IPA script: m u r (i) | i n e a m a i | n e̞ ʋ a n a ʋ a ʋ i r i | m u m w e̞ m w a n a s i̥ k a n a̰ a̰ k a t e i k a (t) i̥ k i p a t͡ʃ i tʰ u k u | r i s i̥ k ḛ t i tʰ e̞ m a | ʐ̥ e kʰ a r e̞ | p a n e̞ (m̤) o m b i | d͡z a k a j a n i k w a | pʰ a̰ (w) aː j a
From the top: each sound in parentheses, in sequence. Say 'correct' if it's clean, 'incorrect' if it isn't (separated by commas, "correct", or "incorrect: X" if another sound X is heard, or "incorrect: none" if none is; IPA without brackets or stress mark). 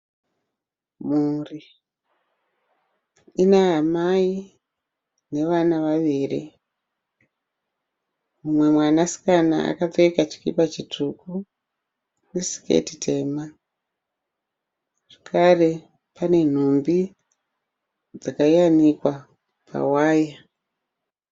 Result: correct, incorrect: t͡ʃ, incorrect: n̤, correct